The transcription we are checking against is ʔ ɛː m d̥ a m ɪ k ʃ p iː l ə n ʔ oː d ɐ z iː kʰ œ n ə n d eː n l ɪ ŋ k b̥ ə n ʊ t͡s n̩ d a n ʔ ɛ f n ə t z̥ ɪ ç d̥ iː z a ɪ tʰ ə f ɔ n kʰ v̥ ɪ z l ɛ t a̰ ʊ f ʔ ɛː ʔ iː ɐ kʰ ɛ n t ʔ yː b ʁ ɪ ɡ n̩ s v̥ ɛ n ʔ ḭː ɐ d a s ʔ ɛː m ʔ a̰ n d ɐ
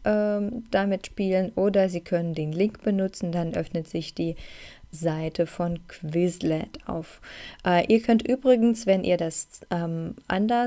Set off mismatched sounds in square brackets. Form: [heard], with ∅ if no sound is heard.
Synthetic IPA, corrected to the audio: ʔ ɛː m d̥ a m ɪ [t] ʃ p iː l ə n ʔ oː d ɐ z iː kʰ œ n ə n d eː n l ɪ ŋ k b̥ ə n ʊ t͡s n̩ d a n ʔ [œ] f n ə t z̥ ɪ ç d̥ iː z a ɪ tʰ ə f ɔ n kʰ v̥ ɪ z l ɛ t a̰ ʊ f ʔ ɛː ʔ iː ɐ kʰ [œ] n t ʔ yː b ʁ ɪ ɡ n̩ s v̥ ɛ n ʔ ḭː ɐ d a s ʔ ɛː m ʔ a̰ n d ɐ